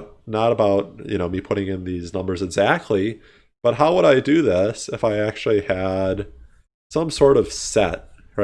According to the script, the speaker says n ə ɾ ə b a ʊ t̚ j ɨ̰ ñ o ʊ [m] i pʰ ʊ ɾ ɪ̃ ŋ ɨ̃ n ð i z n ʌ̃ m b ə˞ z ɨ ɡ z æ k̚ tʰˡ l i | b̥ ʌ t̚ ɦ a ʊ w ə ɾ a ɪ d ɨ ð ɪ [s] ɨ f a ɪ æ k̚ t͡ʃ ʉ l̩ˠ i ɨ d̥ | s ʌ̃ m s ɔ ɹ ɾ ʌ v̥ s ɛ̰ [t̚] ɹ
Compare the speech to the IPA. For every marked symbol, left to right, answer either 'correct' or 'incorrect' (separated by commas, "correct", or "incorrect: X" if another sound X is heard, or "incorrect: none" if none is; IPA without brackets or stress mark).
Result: correct, correct, correct